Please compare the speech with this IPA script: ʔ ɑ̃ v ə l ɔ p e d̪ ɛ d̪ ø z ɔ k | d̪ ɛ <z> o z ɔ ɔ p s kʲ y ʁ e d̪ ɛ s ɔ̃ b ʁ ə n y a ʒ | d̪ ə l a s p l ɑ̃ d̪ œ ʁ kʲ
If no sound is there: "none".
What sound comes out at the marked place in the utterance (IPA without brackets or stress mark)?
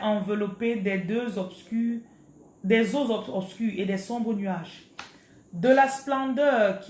z